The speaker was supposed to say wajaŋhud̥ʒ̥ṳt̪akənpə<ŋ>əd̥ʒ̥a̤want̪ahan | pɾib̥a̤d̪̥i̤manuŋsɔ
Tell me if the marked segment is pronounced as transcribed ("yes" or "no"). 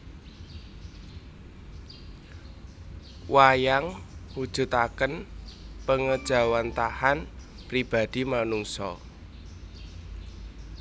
yes